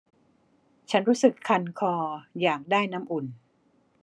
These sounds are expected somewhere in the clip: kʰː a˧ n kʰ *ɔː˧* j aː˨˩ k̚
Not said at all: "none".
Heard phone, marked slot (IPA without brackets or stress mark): ɔː˧